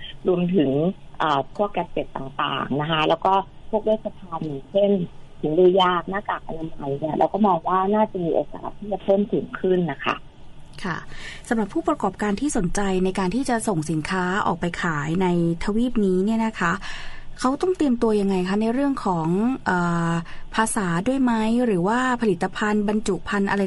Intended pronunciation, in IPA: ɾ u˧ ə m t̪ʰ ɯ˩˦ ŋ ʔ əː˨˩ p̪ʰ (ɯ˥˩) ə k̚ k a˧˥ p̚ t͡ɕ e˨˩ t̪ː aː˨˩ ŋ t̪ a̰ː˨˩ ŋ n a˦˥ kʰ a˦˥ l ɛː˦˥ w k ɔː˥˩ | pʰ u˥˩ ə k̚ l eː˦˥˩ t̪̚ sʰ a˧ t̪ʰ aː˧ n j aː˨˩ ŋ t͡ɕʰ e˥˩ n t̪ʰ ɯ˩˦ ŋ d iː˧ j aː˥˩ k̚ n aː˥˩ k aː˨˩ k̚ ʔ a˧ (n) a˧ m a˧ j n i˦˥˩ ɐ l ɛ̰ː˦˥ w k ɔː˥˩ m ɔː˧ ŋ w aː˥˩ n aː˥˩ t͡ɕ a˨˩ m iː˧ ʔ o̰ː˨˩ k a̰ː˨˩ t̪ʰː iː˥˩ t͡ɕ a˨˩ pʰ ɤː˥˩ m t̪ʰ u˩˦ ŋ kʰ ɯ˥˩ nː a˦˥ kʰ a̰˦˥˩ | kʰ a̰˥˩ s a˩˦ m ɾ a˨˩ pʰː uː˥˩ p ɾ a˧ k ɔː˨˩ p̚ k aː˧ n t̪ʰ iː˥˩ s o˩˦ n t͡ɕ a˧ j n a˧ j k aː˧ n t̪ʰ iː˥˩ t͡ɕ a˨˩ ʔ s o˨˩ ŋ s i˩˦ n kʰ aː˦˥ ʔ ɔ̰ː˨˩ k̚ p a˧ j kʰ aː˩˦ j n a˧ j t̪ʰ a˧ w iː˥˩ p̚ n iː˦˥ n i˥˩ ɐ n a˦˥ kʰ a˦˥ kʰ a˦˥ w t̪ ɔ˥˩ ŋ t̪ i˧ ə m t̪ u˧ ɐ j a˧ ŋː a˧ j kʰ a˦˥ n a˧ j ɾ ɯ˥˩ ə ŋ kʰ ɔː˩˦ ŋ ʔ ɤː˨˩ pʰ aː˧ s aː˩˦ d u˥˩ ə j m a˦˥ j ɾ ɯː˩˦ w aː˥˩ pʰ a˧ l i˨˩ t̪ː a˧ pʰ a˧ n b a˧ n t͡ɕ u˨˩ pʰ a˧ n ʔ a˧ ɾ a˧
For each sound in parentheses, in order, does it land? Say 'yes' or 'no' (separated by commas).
no, yes